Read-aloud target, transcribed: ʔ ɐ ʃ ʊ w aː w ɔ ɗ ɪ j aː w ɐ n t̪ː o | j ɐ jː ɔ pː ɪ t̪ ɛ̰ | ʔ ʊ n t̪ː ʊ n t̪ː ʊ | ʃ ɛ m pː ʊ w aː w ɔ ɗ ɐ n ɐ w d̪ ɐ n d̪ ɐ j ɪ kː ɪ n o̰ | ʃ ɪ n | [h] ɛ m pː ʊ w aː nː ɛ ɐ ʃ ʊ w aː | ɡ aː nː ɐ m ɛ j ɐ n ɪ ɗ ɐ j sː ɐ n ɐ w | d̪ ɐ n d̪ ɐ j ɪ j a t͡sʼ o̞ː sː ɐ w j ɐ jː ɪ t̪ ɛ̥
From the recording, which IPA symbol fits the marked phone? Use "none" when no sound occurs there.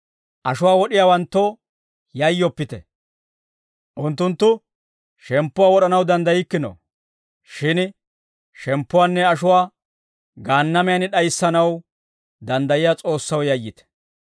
ʃ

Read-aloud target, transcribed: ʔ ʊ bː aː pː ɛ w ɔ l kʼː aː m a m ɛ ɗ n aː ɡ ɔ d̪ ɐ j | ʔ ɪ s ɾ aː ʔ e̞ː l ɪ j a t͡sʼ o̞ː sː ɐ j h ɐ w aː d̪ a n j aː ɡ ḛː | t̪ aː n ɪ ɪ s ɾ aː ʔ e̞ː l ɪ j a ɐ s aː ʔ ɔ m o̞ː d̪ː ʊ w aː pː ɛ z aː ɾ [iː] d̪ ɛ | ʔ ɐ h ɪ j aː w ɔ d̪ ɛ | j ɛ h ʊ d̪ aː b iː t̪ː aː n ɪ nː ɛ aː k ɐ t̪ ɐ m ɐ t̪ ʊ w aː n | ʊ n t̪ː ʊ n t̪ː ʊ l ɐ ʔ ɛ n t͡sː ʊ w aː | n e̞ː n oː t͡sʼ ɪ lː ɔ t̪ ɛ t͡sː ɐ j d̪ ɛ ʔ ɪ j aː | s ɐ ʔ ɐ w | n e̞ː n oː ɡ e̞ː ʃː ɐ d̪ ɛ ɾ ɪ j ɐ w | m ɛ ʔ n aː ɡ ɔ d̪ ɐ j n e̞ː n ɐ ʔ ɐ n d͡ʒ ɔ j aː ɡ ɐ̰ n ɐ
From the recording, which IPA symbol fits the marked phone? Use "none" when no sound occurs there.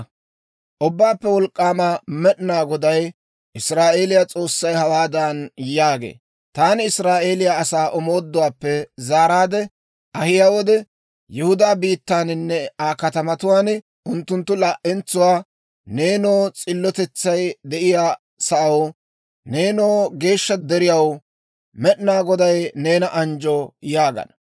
aː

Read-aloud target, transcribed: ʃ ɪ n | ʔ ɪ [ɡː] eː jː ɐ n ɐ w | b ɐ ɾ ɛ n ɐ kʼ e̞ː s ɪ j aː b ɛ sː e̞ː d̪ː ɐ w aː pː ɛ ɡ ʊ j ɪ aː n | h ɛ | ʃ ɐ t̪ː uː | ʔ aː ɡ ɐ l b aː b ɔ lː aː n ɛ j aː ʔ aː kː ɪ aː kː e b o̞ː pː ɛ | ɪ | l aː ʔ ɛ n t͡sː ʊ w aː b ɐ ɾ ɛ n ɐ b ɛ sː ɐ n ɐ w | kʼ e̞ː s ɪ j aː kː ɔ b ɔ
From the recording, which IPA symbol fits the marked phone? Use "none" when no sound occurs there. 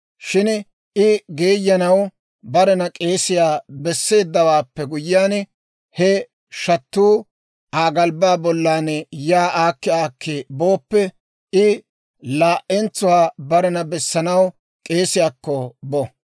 ɡ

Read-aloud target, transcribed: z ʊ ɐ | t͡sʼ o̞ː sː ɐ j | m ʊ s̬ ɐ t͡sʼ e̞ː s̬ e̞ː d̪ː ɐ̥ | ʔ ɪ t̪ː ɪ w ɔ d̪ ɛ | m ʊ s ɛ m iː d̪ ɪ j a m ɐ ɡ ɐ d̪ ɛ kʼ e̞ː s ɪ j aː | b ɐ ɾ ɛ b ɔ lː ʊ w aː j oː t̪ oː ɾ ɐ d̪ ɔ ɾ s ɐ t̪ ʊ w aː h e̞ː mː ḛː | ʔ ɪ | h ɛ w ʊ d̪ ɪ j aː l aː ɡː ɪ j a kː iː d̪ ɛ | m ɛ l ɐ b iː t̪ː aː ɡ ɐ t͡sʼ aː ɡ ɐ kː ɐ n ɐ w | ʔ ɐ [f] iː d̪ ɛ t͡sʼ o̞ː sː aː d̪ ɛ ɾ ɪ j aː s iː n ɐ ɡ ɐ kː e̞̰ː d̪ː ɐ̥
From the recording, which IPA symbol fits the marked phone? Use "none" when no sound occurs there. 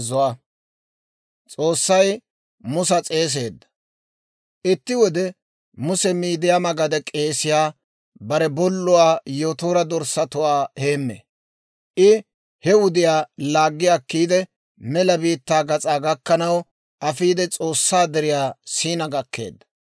f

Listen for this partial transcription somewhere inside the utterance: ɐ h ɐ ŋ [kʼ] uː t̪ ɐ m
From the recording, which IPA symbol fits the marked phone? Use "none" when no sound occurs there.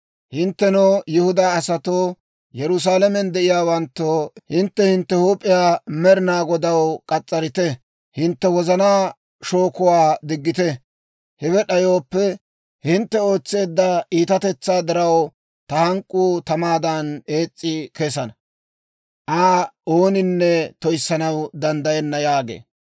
kʼ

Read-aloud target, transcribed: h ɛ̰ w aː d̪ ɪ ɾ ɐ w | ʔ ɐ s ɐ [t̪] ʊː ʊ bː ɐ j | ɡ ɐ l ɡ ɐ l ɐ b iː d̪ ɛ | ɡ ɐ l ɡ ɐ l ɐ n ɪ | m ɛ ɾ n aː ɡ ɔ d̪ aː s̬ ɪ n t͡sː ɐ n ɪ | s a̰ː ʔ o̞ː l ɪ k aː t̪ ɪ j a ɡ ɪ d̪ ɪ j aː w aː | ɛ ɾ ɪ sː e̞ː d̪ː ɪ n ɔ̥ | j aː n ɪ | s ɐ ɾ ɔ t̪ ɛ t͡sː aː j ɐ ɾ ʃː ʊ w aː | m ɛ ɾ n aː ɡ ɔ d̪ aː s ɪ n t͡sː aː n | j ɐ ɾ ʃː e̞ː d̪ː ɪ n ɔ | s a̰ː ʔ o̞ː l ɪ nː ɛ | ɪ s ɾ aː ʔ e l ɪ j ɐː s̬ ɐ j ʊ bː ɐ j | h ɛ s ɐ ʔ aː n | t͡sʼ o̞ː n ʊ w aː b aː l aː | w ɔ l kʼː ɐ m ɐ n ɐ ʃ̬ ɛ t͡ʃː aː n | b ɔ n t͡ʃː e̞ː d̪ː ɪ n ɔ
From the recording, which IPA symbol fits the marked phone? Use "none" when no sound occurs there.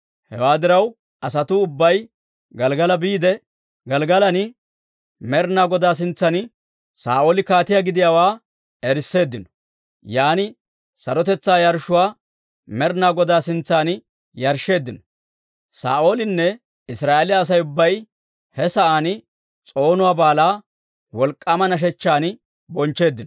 t̪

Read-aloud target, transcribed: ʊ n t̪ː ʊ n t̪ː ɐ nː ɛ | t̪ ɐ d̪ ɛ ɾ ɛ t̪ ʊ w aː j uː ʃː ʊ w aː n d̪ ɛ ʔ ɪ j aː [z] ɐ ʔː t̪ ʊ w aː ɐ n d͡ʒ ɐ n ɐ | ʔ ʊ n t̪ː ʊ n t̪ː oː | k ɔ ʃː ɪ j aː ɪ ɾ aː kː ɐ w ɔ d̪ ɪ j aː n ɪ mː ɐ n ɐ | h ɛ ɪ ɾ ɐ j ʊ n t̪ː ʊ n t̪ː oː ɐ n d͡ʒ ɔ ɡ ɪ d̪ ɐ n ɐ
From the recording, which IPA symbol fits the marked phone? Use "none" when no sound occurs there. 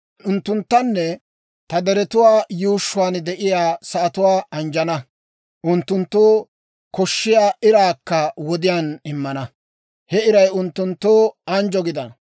s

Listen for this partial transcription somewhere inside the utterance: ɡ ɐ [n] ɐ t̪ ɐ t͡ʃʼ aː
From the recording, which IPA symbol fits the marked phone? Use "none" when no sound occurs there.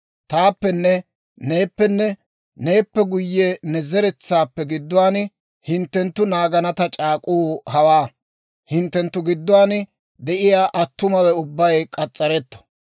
n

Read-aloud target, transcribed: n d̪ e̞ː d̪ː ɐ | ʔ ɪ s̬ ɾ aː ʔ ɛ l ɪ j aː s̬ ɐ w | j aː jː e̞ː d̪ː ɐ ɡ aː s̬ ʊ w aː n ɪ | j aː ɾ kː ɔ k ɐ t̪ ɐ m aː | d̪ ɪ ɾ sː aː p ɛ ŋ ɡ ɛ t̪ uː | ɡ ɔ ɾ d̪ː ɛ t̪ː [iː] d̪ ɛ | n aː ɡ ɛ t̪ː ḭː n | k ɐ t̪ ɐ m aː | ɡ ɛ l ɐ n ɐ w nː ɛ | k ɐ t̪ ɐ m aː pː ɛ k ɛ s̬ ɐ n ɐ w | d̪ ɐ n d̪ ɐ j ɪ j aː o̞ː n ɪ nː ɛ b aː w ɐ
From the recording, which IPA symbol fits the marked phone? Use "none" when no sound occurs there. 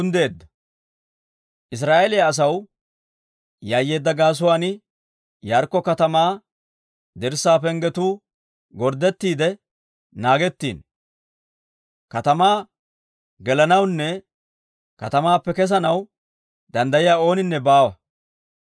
iː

